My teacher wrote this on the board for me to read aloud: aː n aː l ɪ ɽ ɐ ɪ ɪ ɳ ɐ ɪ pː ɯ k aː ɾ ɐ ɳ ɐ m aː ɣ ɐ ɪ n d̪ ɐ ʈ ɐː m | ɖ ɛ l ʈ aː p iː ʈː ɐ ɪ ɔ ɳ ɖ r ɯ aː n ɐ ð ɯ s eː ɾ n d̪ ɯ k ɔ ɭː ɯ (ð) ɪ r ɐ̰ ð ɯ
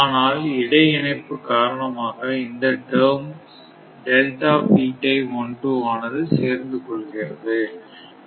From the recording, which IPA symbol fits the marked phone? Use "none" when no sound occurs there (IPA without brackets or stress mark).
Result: ɣ